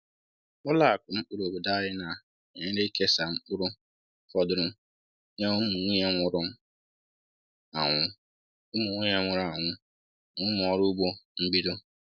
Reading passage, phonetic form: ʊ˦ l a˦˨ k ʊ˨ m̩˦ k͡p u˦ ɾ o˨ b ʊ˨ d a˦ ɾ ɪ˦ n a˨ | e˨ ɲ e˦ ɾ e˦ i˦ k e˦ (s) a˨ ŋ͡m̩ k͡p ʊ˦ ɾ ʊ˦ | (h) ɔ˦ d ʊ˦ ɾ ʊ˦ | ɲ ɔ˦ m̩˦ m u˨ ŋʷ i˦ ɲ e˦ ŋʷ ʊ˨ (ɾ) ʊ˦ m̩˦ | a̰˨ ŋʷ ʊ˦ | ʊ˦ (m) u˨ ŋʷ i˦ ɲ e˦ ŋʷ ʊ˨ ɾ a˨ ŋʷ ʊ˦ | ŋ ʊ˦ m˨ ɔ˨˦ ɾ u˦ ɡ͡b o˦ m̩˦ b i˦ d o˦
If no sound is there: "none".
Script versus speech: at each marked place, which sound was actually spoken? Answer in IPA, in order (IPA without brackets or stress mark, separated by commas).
s, f, ɾ, m